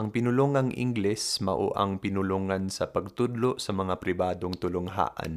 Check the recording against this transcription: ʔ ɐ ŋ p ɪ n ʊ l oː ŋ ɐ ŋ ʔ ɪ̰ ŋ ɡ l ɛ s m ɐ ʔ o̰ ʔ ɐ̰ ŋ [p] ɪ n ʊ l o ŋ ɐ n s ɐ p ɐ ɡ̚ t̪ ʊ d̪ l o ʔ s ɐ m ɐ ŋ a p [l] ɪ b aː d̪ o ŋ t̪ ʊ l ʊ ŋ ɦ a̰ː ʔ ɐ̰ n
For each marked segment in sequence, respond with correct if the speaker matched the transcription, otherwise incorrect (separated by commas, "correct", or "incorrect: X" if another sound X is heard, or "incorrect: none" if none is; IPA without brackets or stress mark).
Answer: correct, incorrect: ɾ